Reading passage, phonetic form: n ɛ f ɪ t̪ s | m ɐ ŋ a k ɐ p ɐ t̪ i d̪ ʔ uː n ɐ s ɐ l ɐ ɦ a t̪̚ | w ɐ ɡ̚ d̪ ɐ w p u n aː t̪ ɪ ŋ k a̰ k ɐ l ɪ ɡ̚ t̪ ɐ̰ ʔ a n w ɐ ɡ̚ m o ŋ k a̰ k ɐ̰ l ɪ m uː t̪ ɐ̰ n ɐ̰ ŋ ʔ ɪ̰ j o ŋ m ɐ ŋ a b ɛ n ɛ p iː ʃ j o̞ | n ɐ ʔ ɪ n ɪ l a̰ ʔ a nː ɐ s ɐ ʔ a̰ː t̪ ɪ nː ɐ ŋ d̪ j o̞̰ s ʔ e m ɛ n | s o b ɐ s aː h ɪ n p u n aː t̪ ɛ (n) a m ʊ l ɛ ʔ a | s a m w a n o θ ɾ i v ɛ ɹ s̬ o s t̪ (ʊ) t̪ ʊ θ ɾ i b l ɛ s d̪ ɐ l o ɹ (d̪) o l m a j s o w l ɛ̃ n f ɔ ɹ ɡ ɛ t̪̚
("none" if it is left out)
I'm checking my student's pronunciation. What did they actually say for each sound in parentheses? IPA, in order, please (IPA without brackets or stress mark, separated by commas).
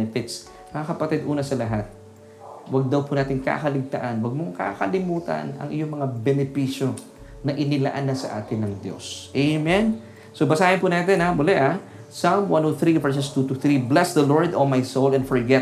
n, u, d̪